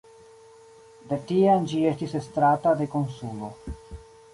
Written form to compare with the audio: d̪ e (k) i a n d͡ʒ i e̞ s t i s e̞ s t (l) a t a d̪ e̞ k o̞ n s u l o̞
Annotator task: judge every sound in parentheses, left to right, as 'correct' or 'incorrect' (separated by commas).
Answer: incorrect, incorrect